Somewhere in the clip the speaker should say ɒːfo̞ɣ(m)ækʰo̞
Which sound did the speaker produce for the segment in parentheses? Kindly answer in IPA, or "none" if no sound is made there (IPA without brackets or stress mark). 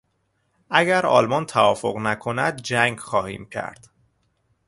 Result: n